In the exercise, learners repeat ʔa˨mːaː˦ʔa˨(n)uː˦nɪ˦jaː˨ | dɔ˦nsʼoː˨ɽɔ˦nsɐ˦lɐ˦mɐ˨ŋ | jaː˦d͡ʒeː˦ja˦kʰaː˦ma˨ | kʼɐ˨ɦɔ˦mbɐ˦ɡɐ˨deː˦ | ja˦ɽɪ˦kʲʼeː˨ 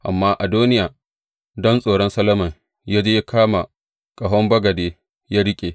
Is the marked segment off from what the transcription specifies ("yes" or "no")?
yes